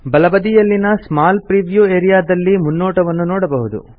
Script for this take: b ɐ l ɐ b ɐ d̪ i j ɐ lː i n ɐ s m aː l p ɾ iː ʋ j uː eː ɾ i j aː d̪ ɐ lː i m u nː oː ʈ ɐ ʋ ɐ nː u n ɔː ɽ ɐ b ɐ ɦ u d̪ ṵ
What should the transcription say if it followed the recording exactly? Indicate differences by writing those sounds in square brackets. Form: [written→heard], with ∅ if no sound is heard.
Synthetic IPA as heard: b ɐ l ɐ b ɐ d̪ i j ɐ lː i n ɐ s m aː l p ɾ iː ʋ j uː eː ɾ i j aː d̪ ɐ lː i m u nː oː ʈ ɐ ʋ ɐ nː u n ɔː ɽ ɐ b ɐ ɦ u d̪ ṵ